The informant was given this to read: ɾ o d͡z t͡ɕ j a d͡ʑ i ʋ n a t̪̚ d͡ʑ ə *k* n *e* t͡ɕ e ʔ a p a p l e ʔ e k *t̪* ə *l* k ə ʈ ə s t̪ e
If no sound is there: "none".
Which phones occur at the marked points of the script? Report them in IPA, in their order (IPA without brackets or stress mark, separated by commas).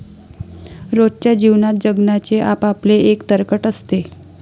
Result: ɡ, a, t̪, ɾ